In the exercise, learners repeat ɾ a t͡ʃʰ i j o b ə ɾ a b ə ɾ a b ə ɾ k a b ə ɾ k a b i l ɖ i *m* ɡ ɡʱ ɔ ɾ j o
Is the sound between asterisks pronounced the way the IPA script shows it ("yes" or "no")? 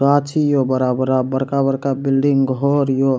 no